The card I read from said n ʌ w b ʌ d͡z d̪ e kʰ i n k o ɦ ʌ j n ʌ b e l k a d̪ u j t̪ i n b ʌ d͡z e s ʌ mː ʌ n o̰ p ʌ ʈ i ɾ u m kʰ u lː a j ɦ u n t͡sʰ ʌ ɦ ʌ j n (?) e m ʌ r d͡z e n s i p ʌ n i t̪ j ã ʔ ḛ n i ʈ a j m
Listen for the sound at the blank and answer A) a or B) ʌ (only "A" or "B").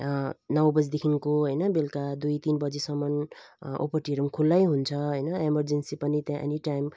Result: B